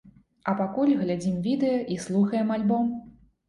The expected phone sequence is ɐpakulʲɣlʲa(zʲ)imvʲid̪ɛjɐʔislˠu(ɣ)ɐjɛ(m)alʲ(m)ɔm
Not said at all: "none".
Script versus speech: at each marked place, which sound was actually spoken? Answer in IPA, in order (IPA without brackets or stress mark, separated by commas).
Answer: d͡zʲ, x, m, b